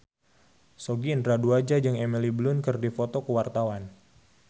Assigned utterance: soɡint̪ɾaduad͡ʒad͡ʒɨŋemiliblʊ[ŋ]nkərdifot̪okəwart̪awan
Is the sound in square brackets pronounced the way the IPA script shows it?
no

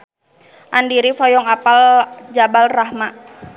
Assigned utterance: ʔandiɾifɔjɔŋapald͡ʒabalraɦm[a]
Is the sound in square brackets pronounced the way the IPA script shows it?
yes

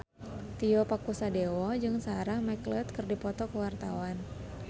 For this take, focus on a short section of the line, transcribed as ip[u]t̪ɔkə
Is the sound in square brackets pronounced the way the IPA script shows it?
no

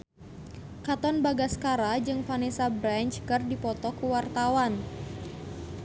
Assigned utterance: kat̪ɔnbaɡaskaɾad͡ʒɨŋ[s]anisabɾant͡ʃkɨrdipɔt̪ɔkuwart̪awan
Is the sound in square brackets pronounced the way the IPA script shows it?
no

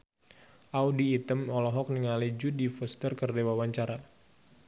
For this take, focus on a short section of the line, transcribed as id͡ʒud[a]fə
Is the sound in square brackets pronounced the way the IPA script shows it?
no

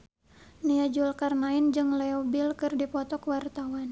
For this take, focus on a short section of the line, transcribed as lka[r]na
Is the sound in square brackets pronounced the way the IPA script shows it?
yes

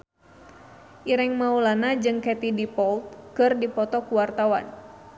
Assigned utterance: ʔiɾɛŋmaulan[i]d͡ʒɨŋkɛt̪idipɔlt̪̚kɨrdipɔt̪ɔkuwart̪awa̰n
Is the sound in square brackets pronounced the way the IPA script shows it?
no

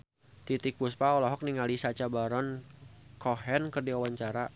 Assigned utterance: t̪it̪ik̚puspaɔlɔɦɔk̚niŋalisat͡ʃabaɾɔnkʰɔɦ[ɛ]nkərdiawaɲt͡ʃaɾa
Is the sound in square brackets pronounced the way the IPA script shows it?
yes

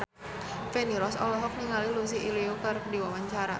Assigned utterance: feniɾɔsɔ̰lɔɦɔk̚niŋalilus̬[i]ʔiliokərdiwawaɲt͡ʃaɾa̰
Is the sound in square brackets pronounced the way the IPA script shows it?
yes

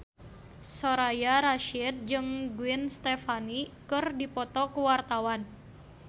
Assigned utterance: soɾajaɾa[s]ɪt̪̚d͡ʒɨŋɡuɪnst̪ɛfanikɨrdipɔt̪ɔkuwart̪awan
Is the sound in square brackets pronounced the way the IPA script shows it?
no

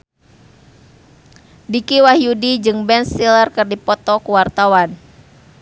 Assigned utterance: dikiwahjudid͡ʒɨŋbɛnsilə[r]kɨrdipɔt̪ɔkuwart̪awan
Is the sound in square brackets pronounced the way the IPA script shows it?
yes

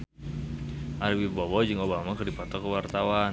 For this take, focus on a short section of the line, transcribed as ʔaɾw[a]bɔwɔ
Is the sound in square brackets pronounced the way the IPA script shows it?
no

